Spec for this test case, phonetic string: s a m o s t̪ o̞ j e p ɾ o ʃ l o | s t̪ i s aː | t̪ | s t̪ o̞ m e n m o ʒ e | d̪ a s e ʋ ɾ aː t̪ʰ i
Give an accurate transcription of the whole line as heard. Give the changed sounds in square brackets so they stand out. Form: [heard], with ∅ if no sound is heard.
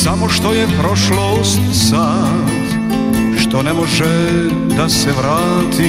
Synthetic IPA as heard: s a m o [ʃ] t̪ o̞ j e p ɾ o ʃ l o | s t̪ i s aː | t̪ | [ʃ] t̪ o̞ [n] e [∅] m o ʒ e | d̪ a s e ʋ ɾ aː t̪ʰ i